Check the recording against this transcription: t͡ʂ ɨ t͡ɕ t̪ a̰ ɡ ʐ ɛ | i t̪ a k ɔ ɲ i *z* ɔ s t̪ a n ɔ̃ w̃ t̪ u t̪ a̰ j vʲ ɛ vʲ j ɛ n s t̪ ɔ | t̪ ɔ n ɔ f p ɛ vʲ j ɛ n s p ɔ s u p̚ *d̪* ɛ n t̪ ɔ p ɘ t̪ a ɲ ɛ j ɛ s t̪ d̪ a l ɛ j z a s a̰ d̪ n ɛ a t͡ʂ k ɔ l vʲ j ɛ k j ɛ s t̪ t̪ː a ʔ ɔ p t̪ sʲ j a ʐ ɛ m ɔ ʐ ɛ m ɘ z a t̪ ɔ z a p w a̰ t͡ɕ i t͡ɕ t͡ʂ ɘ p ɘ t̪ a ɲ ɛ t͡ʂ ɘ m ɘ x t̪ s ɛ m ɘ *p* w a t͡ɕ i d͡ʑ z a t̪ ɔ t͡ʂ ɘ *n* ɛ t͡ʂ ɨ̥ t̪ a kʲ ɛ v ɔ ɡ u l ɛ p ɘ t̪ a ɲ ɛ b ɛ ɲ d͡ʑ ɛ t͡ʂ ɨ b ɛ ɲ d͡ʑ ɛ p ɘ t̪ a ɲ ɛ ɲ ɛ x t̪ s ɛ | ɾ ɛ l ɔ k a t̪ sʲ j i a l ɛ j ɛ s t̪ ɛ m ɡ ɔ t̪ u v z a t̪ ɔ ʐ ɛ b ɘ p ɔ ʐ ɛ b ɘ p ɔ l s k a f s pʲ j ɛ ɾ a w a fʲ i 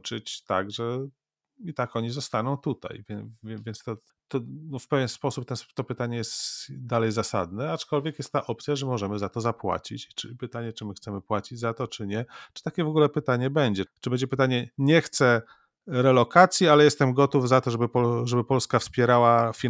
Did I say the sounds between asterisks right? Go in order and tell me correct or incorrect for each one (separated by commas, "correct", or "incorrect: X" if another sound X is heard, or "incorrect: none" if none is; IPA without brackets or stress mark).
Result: correct, incorrect: t̪, correct, incorrect: ɲ